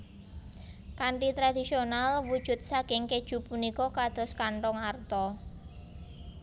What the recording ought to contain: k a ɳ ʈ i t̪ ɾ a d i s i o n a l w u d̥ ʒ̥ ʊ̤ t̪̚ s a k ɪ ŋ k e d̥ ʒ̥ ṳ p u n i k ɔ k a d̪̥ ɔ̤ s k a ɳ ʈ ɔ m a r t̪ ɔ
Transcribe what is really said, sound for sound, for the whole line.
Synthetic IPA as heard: k a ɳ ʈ i t̪ ɾ a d i s i o n a l w u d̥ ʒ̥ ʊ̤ t̪̚ s a k ɪ ŋ k e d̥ ʒ̥ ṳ p u n i k ɔ k a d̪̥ ɔ̤ s k a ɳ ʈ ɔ ŋ a r t̪ ɔ